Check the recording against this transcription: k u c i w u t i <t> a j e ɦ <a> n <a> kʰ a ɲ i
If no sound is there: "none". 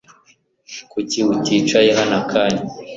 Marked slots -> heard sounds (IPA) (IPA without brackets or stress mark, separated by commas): t͡ʃ, a, a